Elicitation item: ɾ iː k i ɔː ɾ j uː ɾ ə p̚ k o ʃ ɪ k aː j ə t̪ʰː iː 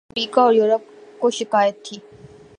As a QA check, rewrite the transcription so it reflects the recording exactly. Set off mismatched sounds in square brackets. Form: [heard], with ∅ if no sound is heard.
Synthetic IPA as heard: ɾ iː k [a] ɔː ɾ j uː ɾ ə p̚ k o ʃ ɪ k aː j ə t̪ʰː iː